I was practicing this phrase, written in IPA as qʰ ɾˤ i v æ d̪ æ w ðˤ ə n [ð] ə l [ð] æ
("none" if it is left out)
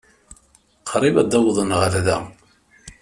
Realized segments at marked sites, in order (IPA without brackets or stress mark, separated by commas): ʁ, ð